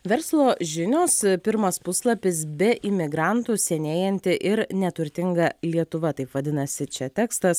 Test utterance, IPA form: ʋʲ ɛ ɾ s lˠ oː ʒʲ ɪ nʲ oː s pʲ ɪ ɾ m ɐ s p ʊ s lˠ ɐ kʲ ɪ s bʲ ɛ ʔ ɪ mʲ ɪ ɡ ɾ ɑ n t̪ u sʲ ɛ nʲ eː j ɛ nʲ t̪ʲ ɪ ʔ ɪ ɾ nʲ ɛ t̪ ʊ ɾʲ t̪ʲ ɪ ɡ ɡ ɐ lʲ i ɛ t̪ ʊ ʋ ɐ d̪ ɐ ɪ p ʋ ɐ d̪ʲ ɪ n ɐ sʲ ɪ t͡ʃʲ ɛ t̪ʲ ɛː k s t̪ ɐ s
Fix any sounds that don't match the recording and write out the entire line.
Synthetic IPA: ʋʲ ɛ ɾ s lˠ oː ʒʲ ɪ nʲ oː s pʲ ɪ ɾ m ɐ s p ʊ s lˠ ɐ pʲ ɪ s bʲ ɛ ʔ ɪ mʲ ɪ ɡ ɾ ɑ n t̪ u sʲ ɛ nʲ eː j ɛ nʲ t̪ʲ ɪ ʔ ɪ ɾ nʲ ɛ t̪ ʊ ɾʲ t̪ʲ ɪ ŋ ɡ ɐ lʲ i ɛ t̪ ʊ ʋ ɐ t̪ ɐ ɪ p ʋ ɐ d̪ʲ ɪ n ɐ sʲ ɪ t͡ʃʲ ɛ t̪ʲ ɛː k s t̪ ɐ s